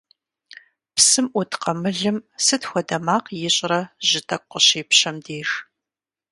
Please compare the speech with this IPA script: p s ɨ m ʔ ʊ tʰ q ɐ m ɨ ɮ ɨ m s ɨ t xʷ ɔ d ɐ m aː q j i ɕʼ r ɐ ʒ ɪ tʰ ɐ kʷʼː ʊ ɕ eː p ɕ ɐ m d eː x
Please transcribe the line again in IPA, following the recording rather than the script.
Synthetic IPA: p s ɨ m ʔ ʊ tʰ q ɐ m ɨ ɮ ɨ m s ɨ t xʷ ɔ d ɐ m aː q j ɪ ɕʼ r ɐ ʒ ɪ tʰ ɐ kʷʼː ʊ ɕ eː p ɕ ɐ m d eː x